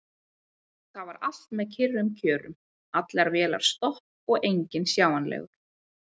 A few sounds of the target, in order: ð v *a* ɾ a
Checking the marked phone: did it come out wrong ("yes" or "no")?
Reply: no